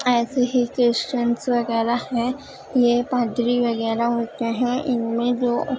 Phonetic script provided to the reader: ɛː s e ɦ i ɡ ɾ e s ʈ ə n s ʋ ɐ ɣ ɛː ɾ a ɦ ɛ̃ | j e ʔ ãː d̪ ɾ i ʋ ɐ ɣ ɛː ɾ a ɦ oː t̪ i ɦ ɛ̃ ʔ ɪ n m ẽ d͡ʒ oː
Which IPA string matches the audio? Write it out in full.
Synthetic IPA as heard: ɛː s e ɦ i k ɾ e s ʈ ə n s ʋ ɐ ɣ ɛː ɾ a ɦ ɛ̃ | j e p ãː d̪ ɾ i ʋ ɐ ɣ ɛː ɾ a ɦ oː t̪ e ɦ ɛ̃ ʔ ɪ n m ẽ d͡ʒ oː

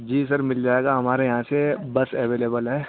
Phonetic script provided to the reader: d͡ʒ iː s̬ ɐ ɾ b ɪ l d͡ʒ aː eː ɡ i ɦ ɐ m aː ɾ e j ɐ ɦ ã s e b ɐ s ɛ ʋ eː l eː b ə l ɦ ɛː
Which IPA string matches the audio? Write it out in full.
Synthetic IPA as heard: d͡ʒ iː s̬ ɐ ɾ m ɪ l d͡ʒ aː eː ɡ a ɦ ɐ m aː ɾ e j ɐ ɦ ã s e b ɐ s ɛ ʋ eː l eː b ə l ɦ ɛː

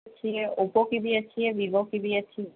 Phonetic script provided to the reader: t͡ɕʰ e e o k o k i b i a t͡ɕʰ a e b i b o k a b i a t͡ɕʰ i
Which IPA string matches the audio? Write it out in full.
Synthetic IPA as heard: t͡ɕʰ i e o p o k i b i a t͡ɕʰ i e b i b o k i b i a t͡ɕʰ i

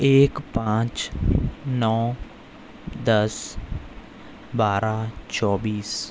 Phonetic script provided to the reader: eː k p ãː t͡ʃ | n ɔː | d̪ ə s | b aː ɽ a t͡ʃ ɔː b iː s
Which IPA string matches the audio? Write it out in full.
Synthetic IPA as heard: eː k p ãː t͡ʃ | n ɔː | d̪ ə s | b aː ɾ a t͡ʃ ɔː b iː s

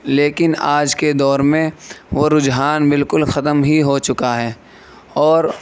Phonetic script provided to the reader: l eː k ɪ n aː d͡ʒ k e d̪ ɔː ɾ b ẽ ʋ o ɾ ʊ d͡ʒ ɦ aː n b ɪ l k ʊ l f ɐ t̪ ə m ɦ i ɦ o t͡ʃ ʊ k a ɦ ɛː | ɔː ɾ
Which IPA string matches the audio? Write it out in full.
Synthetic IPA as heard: l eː k ɪ n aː d͡ʒ k e d̪ ɔː ɾ m ẽ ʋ o ɾ ʊ d͡ʒ ɦ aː n b ɪ l k ʊ l x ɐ t̪ ə m ɦ i ɦ o t͡ʃ ʊ k a ɦ ɛː | ɔː ɾ

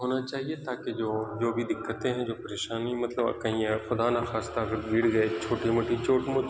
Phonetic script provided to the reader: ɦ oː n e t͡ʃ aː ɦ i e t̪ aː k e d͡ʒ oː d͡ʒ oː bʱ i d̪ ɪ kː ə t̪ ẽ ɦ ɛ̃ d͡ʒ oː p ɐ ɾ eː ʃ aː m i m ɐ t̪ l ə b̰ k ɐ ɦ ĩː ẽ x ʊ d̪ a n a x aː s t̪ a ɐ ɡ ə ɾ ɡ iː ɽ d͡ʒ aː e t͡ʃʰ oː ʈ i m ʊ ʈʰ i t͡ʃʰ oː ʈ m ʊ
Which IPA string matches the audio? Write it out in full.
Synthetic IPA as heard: ɦ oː n a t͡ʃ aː ɦ i e t̪ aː k e d͡ʒ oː d͡ʒ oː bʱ i d̪ ɪ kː ə t̪ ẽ ɦ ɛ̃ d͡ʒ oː p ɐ ɾ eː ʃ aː n i m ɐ t̪ l ə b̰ k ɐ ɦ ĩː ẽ x ʊ d̪ a n a x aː s t̪ a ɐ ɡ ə ɾ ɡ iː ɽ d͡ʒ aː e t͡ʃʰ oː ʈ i m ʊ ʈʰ i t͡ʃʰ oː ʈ m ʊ

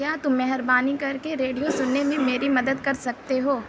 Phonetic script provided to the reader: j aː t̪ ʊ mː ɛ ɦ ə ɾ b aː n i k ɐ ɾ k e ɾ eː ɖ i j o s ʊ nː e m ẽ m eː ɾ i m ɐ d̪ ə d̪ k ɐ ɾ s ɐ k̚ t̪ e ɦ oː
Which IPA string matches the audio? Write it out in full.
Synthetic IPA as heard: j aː t̪ ʊ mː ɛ ɦ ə ɾ b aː n i k ɐ ɾ k e ɾ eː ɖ i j o s ʊ nː e m ẽ m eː ɾ i m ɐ d̪ ə d̪ k ɐ ɾ s ɐ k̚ t̪ e ɦ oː

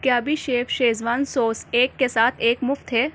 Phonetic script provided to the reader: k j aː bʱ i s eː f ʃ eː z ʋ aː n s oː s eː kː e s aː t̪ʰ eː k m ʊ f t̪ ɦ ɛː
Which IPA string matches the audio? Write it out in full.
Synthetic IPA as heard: k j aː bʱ i ʃ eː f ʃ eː z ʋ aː n s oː s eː kː e s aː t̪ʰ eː k m ʊ f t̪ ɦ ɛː

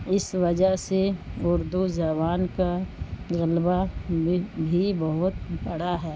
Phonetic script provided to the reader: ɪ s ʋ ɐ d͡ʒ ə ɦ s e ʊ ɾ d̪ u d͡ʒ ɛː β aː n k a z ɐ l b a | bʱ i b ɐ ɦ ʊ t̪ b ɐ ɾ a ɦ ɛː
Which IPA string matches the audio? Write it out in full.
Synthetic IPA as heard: ɪ s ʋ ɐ d͡ʒ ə ɦ s e ʊ ɾ d̪ u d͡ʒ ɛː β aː n k a ɣ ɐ l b a | bʱ i b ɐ ɦ ʊ t̪ b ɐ ɽ a ɦ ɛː

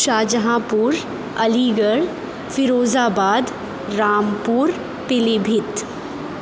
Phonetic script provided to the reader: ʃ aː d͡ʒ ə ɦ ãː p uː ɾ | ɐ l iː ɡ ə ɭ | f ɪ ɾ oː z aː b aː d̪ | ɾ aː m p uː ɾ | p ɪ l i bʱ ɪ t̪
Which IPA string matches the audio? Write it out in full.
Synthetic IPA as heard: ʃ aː d͡ʒ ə ɦ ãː p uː ɾ | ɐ l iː ɡ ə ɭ | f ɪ ɾ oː z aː b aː d̪ | ɾ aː m p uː ɾ | p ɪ l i bʱ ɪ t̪

